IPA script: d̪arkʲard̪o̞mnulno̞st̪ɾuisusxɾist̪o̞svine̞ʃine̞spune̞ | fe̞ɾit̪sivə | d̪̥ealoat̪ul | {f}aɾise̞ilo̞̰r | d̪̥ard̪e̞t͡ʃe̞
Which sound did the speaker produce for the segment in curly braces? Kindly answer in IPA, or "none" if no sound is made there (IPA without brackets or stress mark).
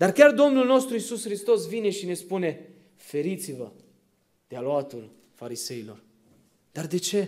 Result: f